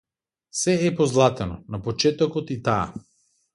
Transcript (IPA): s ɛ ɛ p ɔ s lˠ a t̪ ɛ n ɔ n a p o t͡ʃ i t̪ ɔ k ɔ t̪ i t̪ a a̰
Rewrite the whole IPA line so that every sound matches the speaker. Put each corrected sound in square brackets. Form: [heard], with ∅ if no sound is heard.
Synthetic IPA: s ɛ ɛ p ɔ [z] lˠ a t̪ ɛ n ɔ n a p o t͡ʃ [ɛ] t̪ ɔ k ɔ t̪ i t̪ a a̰